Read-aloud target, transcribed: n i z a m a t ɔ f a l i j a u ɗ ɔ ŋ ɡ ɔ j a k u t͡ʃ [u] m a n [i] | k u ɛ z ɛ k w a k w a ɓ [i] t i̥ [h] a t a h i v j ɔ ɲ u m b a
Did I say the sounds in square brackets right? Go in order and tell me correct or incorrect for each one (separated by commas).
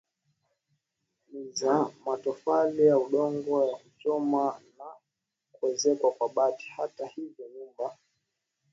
incorrect, incorrect, incorrect, correct